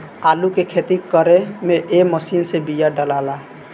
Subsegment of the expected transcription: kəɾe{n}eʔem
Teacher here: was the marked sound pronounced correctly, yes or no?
no